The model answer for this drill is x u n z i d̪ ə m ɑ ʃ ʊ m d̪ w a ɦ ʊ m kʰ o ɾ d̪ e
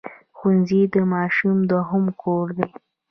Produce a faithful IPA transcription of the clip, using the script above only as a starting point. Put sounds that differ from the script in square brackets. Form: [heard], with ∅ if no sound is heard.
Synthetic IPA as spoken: x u n z i d̪ ə m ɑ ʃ [u] m d̪ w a ɦ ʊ m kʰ o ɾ d̪ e